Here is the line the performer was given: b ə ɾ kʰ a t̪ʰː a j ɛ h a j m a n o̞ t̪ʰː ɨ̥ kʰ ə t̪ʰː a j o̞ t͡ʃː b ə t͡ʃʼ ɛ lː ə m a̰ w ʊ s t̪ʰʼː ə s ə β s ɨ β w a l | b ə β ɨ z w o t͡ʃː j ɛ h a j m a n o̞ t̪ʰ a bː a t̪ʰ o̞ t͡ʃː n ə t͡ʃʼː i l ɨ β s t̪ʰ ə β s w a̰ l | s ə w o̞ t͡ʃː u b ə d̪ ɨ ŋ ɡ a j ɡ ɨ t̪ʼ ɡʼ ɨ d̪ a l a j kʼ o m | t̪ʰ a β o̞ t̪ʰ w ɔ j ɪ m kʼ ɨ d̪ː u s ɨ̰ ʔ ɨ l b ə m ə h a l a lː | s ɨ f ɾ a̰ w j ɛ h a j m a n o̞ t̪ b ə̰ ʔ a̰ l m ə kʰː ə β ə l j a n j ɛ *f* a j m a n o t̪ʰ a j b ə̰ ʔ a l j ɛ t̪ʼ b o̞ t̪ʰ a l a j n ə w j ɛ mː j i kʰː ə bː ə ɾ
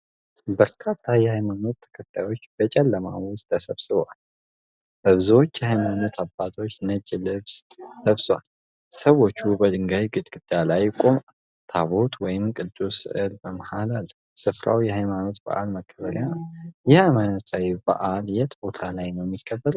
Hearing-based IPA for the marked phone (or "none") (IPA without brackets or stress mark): h